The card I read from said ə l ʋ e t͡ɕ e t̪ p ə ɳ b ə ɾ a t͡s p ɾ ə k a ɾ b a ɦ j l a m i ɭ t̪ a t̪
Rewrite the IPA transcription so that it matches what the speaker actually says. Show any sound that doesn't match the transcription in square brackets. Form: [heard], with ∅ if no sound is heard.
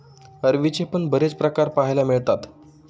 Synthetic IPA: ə [ɾ] ʋ [i] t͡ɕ e [∅] p ə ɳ b ə ɾ [e] t͡s p ɾ ə k a ɾ [p] a ɦ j l a m i ɭ t̪ a t̪